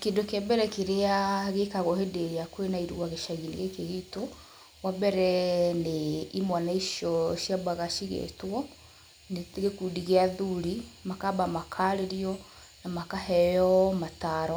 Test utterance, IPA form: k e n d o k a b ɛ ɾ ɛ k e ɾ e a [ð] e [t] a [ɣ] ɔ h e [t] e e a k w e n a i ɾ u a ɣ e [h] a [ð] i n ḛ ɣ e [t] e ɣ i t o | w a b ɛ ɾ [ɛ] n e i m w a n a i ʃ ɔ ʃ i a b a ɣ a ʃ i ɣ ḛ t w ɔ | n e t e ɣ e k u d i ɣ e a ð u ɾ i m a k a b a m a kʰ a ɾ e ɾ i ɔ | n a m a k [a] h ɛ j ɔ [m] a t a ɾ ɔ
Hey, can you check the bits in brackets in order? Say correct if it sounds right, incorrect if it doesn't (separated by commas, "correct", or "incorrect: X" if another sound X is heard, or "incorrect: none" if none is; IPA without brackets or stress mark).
incorrect: ɣ, incorrect: k, correct, incorrect: d, incorrect: ʃ, incorrect: ɣ, incorrect: k, correct, correct, correct